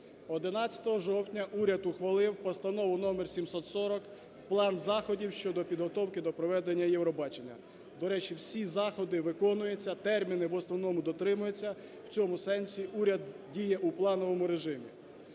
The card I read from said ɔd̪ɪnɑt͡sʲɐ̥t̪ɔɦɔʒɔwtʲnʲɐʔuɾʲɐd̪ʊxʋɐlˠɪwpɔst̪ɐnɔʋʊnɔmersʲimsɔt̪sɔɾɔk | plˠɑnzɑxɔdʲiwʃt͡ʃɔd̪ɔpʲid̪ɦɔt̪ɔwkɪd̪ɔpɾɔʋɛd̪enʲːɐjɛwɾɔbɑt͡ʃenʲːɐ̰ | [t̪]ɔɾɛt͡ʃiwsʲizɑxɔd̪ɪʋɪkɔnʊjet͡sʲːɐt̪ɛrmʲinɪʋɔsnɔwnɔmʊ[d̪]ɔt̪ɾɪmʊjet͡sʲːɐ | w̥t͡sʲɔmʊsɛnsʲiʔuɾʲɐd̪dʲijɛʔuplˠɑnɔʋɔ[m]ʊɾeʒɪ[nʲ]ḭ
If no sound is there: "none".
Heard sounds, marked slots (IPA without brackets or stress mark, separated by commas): d̪, d̪, m, mʲ